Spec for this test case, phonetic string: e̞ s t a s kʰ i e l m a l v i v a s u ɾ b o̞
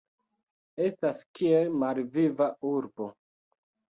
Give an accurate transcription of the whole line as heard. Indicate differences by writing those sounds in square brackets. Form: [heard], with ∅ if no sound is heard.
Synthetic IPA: e̞ s t a s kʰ i e l m a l v i v a [∅] u ɾ b o̞